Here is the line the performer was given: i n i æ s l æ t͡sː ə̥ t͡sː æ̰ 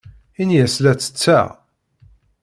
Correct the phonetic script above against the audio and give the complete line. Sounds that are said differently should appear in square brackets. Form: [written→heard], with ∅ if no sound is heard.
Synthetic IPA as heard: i n [i→j] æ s l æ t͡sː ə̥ t͡sː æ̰